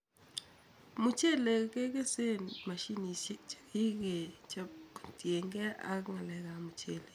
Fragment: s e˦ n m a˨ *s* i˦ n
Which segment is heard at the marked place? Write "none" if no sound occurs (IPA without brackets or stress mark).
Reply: ʃ